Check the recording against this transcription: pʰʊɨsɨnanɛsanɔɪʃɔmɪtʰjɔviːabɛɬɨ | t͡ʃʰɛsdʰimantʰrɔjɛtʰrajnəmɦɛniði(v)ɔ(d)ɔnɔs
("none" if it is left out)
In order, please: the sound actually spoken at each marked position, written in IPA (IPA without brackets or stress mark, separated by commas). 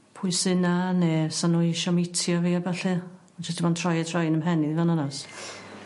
v, n